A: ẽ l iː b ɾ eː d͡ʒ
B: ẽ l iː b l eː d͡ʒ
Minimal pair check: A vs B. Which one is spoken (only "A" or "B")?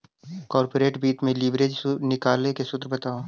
A